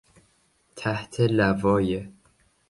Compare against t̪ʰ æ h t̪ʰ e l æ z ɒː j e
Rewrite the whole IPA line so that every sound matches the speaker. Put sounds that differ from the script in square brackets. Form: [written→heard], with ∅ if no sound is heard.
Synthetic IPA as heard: t̪ʰ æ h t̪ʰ e l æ [z→v] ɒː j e